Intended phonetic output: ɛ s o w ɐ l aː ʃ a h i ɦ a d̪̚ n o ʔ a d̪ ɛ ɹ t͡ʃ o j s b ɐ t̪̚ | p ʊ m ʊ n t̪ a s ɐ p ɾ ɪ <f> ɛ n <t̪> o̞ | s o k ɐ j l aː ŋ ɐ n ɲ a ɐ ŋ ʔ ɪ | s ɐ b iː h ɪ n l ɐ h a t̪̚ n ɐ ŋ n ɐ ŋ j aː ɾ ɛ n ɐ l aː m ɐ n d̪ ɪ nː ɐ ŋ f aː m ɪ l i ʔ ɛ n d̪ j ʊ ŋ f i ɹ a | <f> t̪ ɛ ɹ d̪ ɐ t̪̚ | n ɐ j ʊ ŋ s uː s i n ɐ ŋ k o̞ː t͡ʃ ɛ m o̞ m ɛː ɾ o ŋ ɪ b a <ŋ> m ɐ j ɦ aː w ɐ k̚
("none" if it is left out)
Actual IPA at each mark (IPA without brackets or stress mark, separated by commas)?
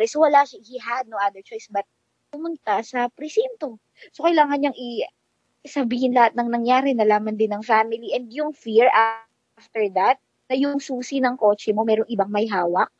s, t̪, f, ŋ